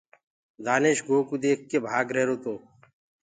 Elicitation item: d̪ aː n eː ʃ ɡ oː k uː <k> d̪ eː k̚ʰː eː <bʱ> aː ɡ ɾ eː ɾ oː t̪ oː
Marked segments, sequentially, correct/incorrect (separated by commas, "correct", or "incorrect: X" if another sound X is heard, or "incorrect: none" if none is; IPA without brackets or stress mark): incorrect: none, correct